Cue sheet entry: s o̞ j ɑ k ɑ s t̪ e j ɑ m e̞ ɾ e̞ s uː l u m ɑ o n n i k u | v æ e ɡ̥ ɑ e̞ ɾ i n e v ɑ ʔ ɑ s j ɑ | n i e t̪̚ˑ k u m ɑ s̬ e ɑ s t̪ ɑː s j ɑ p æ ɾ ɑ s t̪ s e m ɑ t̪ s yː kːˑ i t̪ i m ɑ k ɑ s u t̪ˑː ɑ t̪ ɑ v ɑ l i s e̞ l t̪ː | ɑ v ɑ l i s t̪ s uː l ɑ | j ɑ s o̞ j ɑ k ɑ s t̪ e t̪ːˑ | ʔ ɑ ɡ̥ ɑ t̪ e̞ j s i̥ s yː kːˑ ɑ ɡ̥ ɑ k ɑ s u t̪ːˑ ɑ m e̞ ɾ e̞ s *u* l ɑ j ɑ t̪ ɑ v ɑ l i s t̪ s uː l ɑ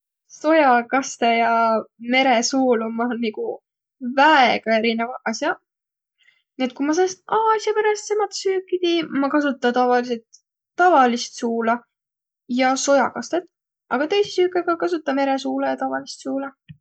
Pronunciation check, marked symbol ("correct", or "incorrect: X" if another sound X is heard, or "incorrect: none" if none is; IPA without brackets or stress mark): incorrect: uː